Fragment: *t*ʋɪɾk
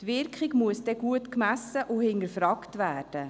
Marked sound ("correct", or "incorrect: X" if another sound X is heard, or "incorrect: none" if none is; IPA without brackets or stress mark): correct